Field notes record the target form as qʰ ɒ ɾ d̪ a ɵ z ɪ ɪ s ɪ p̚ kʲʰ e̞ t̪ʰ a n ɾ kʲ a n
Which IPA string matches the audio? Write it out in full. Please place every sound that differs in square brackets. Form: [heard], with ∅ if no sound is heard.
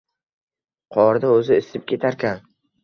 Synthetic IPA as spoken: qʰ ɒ ɾ d̪ a ɵ z ɪ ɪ s ɪ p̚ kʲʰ e̞ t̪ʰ a [∅] ɾ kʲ a n